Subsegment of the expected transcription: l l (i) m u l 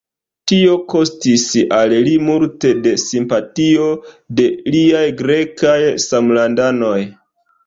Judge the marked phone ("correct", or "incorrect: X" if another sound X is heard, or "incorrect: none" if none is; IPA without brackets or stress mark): correct